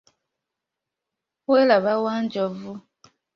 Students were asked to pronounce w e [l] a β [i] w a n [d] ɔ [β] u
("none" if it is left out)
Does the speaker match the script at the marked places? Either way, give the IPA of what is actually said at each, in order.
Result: l, a, d͡ʒ, v

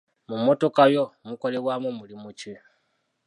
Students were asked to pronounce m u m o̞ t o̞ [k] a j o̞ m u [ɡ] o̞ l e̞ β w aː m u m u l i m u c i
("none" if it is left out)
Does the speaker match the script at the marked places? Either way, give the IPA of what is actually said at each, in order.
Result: k, k

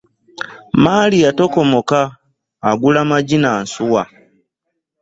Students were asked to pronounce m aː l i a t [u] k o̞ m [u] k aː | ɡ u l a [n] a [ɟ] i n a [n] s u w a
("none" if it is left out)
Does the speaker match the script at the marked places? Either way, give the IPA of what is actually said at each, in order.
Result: o, o, m, ɟ, n

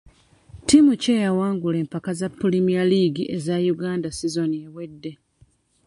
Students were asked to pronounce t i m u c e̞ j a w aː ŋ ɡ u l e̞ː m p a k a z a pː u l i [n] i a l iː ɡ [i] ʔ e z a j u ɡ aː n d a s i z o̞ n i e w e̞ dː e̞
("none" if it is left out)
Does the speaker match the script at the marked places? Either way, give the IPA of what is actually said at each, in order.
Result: m, i

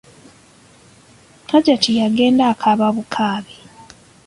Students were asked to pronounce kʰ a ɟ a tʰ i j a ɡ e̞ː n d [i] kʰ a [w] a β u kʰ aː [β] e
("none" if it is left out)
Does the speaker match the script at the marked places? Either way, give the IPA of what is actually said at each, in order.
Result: a, β, β

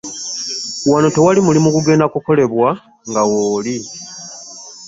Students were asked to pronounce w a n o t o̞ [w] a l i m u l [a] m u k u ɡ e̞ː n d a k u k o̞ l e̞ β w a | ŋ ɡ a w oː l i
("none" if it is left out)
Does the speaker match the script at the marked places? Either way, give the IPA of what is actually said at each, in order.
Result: w, i

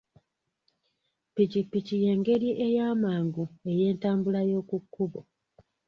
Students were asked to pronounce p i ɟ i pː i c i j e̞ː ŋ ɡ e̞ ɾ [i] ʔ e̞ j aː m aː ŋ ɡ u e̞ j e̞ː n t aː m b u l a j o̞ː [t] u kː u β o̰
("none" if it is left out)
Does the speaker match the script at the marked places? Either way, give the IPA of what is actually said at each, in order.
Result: i, k

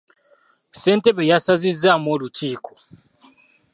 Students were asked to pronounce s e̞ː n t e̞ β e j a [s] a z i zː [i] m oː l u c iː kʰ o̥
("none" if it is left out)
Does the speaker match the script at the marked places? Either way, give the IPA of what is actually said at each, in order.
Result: s, a

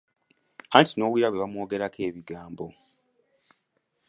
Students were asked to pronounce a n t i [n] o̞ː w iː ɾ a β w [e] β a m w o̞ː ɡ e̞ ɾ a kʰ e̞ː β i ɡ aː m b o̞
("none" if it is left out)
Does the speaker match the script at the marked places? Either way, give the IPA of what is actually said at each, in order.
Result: n, e

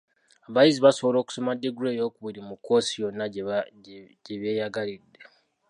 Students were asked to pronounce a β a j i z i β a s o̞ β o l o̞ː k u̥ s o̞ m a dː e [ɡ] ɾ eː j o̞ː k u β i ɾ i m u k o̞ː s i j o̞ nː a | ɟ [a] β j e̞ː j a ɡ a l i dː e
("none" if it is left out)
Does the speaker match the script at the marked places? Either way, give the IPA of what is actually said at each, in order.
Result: ɡ, e

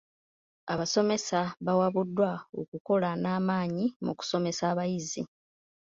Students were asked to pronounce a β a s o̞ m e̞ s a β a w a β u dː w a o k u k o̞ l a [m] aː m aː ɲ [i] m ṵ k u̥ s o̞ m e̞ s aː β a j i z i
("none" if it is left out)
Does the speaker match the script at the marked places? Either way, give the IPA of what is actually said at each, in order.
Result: n, i

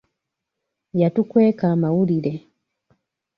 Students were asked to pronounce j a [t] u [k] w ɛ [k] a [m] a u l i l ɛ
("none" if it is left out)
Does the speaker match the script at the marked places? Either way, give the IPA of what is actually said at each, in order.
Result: t, k, k, m

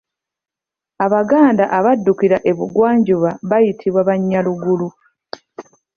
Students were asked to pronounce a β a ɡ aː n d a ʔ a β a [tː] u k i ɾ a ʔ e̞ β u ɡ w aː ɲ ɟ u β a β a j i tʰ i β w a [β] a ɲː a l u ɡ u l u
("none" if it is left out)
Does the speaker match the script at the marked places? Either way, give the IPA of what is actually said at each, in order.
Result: dː, β

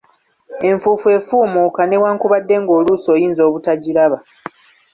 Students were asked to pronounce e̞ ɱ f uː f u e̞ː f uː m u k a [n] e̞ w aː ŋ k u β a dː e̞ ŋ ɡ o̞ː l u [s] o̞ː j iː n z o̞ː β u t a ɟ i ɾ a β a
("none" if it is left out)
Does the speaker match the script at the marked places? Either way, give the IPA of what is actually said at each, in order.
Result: n, s

